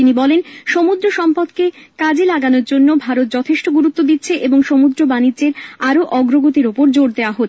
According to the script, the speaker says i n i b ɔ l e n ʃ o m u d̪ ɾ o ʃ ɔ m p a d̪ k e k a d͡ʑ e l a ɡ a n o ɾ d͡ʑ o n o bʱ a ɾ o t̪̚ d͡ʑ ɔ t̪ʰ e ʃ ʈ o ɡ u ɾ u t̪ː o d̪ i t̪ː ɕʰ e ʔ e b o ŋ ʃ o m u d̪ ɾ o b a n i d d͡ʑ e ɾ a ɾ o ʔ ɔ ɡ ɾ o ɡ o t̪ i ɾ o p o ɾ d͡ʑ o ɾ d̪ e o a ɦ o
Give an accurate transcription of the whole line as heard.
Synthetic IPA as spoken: i n i b ɔ l e n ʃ o m u d̪ ɾ o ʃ ɔ m p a d̪ k e k a d͡ʑ e l a ɡ a n o ɾ d͡ʑ o nː o bʱ a ɾ o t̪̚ d͡ʑ ɔ t̪ʰ e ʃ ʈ o ɡ u ɾ u t̪ː o d̪ i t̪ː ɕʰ e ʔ e b o ŋ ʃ o m u d̪ ɾ o b a n i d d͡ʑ e ɾ a ɾ o ʔ ɔ ɡ ɾ o ɡ o t̪ i ɾ o p o ɾ d͡ʑ o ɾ d̪ e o a ɦ o